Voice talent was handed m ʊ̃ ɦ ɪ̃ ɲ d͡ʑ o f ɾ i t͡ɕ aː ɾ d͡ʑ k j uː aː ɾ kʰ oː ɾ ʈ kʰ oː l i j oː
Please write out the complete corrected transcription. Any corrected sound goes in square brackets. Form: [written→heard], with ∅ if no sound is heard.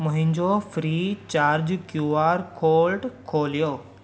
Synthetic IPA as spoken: m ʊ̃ ɦ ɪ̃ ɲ d͡ʑ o f ɾ i t͡ɕ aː ɾ d͡ʑ k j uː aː ɾ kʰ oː [ɾ→l] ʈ kʰ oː l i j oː